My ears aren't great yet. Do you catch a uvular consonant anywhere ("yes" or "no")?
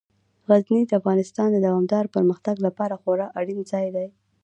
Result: no